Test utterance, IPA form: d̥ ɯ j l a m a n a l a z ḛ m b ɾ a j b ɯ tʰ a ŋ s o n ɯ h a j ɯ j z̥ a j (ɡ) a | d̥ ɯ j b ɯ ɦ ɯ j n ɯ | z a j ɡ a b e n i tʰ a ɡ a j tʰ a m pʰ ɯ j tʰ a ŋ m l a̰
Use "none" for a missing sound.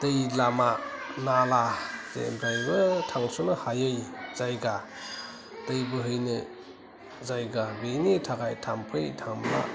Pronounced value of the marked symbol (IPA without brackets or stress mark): ɡ